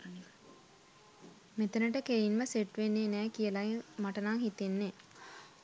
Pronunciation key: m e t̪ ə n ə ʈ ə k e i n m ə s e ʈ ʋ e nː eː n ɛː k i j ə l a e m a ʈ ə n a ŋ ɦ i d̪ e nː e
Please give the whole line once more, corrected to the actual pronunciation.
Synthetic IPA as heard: m e t̪ ə n ə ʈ ə k e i n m ə s e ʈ ʋ e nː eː n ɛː k i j ə l a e m a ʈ ə n a ŋ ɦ i t̪ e nː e